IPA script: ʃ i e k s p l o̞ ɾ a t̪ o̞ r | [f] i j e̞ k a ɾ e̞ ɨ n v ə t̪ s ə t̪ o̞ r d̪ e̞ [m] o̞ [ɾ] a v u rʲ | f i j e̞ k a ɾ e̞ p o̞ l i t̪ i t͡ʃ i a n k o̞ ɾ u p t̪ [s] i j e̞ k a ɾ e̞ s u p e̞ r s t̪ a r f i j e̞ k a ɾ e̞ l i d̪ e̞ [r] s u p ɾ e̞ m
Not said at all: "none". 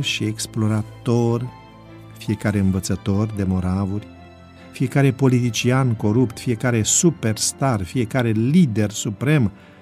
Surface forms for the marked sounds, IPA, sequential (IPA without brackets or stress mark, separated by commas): f, m, ɾ, f, r